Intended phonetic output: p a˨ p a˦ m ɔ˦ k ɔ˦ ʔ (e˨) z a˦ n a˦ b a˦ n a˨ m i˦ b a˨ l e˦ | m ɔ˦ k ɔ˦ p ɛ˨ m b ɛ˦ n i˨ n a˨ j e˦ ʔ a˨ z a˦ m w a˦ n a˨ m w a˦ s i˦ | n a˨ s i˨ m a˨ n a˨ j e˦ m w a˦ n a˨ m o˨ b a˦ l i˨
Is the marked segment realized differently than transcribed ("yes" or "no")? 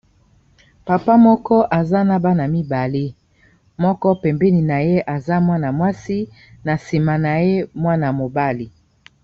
yes